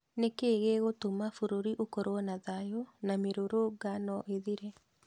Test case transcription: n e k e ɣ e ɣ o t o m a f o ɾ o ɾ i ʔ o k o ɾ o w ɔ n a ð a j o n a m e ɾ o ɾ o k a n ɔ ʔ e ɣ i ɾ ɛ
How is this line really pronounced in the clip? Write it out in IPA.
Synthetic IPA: n e k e ɣ e ɣ o t o m a f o ɾ o ɾ i ʔ o k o ɾ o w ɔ n a ð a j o n a m e ɾ o ɾ o ɡ a n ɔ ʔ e ð i ɾ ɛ